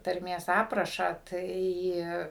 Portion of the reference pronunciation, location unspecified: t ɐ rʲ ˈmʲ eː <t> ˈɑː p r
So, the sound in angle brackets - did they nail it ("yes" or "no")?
no